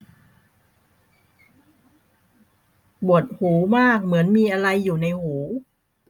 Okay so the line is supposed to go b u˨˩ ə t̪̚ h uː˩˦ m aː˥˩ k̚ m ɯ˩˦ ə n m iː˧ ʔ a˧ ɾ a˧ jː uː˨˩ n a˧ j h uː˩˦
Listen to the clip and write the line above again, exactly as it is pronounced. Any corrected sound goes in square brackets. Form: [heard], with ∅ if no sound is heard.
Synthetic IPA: b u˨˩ ə t̪̚ h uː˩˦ m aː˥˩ k̚ m ɯ˩˦ ə n m iː˧ ʔ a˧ ɾ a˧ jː uː˨˩ n a˧ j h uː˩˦

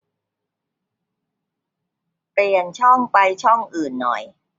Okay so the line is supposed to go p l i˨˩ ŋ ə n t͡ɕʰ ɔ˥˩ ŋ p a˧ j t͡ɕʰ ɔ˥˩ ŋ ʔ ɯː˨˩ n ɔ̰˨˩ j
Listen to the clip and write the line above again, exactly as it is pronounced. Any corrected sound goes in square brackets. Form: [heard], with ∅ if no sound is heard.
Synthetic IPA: p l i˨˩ [∅] ə n t͡ɕʰ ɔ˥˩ ŋ p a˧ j t͡ɕʰ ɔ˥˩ ŋ ʔ ɯː˨˩ [nː] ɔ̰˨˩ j

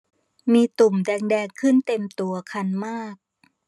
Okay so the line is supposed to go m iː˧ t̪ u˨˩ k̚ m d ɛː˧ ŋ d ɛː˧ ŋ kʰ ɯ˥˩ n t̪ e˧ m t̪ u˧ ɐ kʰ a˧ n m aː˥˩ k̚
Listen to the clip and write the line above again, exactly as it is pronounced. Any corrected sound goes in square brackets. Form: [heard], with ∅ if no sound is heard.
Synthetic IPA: m iː˧ t̪ u˨˩ [∅] m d ɛː˧ ŋ d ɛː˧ ŋ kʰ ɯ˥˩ n t̪ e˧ m t̪ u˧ ɐ kʰ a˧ n m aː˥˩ k̚

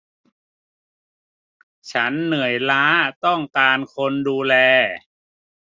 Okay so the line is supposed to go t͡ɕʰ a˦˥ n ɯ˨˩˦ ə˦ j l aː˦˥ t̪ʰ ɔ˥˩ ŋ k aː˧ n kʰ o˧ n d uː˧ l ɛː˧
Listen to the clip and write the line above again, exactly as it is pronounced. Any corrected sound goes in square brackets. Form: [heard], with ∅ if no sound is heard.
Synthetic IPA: t͡ɕʰ a˦˥ [nː] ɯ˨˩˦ ə˦ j l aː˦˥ [t̪] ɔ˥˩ ŋ k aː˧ n kʰ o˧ n d uː˧ l ɛː˧

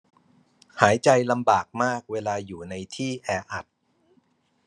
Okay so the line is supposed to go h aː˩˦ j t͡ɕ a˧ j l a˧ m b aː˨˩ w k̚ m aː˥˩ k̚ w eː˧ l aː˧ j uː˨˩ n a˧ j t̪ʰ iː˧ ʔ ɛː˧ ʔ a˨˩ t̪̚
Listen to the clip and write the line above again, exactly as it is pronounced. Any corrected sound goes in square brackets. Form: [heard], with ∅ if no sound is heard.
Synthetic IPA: h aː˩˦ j t͡ɕ a˧ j l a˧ m b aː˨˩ [∅] k̚ m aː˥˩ k̚ w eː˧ l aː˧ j uː˨˩ n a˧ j t̪ʰ [iː˥˩] ʔ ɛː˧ ʔ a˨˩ t̪̚

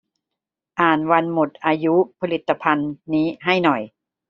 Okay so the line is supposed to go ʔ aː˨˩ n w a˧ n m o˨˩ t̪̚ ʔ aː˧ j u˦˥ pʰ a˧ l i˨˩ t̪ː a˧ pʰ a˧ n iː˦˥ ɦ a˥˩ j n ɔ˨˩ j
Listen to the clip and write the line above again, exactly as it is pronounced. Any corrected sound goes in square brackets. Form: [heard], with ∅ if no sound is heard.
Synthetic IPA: ʔ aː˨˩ n w a˧ n m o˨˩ t̪̚ ʔ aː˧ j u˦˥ pʰ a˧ l i˨˩ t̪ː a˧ pʰ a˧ [nː] iː˦˥ ɦ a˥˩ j n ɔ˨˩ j

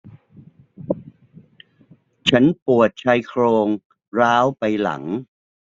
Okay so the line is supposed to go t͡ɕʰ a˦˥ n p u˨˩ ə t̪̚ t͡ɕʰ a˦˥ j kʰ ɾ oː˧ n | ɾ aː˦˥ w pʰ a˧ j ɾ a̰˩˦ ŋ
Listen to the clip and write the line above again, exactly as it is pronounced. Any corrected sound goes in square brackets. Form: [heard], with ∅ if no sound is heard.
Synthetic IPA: t͡ɕʰ a˦˥ n p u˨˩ ə t̪̚ t͡ɕʰ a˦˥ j kʰ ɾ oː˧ [ŋ] | ɾ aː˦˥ w [p] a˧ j [l] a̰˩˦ ŋ

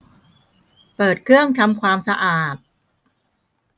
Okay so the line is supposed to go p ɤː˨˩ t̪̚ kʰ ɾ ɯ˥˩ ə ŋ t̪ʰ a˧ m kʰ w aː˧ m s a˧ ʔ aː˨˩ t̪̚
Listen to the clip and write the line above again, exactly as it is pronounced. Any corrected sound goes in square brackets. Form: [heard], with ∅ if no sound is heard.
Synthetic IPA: p ɤː˨˩ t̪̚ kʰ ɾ ɯ˥˩ ə ŋ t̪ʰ a˧ m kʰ w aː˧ m s a˧ ʔ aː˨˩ t̪̚

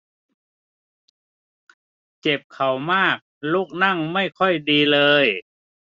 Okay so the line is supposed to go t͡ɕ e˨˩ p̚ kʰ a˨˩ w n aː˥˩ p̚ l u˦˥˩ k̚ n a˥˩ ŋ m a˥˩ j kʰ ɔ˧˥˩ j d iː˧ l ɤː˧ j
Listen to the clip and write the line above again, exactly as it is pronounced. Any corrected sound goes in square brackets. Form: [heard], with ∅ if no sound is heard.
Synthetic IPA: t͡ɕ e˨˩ p̚ kʰ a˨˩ w [m] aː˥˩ [k̚] l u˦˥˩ k̚ n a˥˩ ŋ m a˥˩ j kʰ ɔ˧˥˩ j d iː˧ l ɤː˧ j

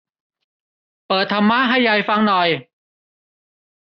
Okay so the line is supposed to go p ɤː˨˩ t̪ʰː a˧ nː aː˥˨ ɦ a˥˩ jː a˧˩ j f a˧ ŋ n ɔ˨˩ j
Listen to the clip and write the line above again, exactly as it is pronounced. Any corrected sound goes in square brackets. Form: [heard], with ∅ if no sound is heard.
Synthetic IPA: p ɤː˨˩ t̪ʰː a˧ [mː] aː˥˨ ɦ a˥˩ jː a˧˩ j f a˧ ŋ n ɔ˨˩ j

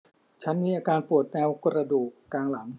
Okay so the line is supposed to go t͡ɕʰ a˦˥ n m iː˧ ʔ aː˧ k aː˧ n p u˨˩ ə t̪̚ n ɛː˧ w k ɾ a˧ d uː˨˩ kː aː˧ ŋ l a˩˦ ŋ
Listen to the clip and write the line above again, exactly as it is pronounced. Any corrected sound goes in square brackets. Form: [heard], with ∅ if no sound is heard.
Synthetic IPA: t͡ɕʰ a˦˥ n m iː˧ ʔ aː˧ k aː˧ n p u˨˩ ə t̪̚ n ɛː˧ w k ɾ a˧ d uː˨˩ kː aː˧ ŋ l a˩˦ ŋ

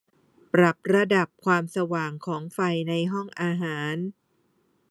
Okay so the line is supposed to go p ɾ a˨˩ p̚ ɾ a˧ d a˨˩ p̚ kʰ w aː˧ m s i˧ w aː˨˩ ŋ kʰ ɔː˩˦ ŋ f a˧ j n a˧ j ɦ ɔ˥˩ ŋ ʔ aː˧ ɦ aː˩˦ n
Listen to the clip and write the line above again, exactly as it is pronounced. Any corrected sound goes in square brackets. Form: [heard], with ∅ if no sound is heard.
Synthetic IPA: p ɾ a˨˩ p̚ ɾ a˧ d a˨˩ p̚ kʰ w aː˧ m s [a˧] w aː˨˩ ŋ kʰ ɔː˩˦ ŋ f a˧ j n a˧ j ɦ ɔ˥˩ ŋ ʔ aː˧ ɦ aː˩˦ n

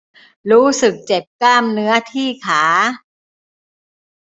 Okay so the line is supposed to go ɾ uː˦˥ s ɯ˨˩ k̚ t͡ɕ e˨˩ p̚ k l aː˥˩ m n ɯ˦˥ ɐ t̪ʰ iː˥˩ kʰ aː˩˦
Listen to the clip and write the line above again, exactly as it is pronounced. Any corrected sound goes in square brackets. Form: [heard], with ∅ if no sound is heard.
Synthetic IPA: ɾ uː˦˥ s ɯ˨˩ k̚ t͡ɕ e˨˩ p̚ k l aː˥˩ m n ɯ˦˥ ɐ t̪ʰ iː˥˩ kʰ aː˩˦

